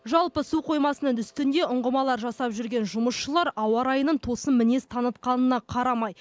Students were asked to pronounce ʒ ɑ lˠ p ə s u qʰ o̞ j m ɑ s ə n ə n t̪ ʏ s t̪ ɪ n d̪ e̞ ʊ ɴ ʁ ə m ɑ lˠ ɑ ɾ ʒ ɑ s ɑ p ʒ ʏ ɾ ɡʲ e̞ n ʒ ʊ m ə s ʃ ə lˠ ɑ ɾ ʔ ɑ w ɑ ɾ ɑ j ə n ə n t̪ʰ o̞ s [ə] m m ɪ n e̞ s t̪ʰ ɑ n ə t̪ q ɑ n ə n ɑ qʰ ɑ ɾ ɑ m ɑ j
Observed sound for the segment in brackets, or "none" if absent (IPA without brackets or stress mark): ə